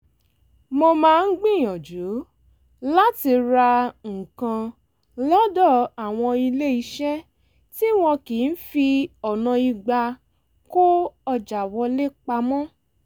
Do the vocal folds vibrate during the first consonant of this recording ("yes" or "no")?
yes